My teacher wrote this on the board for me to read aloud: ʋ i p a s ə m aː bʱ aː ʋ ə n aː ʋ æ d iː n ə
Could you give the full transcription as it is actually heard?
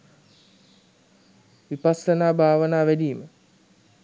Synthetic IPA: ʋ i p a s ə n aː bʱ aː ʋ ə n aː ʋ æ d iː m ə